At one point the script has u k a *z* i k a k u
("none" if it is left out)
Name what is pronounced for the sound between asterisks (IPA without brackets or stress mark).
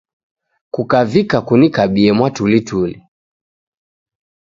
v